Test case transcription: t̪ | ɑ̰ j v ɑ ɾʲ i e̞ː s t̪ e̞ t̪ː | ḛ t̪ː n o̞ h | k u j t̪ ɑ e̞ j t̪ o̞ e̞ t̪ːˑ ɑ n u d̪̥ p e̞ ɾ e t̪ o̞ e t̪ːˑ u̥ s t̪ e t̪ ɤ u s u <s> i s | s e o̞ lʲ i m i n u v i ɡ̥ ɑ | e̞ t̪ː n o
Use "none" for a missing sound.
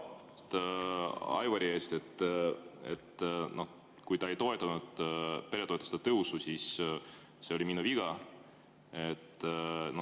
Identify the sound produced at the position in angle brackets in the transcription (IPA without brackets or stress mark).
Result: s